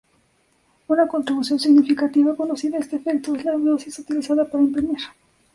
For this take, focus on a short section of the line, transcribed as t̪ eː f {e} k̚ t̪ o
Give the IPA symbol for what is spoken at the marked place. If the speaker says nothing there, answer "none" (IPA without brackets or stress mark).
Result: e